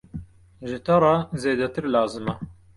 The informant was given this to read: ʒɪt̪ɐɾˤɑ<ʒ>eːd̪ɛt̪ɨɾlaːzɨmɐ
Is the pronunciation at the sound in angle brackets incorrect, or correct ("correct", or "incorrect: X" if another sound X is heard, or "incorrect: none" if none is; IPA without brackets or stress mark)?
incorrect: z